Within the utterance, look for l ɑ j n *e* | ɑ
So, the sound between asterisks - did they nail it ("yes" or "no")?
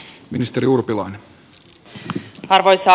yes